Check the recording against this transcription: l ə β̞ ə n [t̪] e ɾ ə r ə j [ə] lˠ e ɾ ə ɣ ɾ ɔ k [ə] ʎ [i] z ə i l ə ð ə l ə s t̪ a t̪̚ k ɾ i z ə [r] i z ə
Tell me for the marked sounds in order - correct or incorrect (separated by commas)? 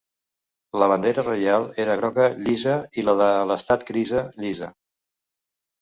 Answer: incorrect, incorrect, correct, correct, incorrect